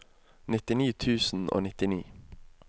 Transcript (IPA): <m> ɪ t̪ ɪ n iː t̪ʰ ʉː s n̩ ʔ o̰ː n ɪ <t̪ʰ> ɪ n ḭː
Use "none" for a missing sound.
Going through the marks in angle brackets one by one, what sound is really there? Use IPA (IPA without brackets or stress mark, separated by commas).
n, t̪